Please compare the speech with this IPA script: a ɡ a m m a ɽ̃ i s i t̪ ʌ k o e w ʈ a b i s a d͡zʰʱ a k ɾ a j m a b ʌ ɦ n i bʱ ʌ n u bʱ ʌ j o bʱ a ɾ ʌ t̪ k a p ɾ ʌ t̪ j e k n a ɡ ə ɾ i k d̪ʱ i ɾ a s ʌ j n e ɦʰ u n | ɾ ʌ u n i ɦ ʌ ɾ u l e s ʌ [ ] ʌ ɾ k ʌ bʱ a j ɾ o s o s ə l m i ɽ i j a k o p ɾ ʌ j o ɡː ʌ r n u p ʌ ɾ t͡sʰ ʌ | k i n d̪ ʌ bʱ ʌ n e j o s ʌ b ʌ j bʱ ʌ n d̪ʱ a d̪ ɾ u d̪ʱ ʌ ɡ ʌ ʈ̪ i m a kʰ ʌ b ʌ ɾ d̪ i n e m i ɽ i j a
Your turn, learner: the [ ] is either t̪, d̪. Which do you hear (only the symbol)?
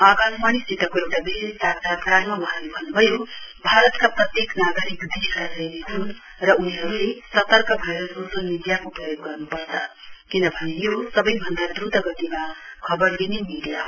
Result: t̪